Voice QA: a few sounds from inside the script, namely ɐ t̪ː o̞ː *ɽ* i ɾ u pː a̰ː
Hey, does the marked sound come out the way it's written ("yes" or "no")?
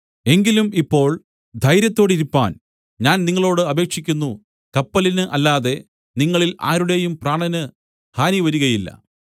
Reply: yes